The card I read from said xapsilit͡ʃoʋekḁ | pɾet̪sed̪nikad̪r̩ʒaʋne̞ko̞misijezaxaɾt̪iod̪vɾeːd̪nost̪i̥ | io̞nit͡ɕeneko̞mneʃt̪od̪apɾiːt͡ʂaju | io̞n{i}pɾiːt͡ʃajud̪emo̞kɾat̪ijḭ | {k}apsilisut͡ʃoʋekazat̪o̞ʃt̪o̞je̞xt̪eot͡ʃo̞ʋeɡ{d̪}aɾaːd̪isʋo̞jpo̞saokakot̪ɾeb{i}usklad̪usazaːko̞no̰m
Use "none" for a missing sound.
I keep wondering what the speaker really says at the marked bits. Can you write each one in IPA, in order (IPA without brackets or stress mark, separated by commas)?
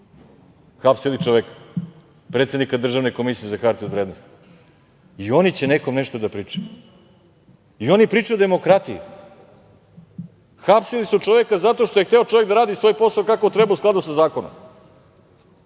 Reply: i, x, d̪, a